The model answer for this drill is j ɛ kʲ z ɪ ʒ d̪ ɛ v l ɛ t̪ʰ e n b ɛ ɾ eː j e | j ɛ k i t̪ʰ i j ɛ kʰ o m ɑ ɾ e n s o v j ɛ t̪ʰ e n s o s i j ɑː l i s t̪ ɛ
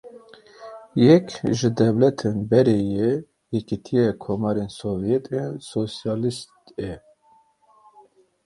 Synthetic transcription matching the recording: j ɛ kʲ ʒ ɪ d̪ ɛ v l ɛ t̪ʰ e n b ɛ ɾ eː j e | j ɛ k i t̪ʰ i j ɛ kʰ o m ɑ ɾ e n s o v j ɛ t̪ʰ e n s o s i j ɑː l i s t̪ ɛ